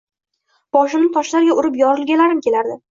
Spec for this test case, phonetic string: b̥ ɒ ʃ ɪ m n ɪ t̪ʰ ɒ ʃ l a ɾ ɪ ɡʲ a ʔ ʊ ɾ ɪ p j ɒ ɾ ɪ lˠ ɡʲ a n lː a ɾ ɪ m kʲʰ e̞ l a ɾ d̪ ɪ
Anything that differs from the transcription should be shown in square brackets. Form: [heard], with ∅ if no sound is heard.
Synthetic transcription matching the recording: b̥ ɒ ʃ ɪ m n ɪ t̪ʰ ɒ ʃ l a ɾ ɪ ɡʲ a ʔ ʊ ɾ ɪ p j ɒ ɾ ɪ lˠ ɡʲ a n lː a ɾ ɪ m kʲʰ e̞ l a ɾ d̪ ɪ